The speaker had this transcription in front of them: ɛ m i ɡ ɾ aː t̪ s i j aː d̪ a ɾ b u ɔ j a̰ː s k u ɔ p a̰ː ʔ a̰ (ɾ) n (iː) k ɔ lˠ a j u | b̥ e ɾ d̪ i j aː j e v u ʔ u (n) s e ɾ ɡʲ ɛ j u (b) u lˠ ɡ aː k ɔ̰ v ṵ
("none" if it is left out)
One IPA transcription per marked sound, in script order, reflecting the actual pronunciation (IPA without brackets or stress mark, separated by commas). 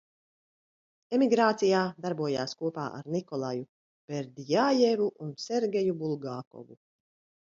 ɾ, i, n, b